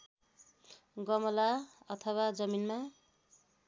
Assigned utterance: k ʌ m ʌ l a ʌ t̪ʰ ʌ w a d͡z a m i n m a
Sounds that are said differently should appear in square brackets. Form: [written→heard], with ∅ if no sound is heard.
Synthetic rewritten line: [k→ɡ] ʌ m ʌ l a ʌ t̪ʰ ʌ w a d͡z [a→ʌ] m i n m a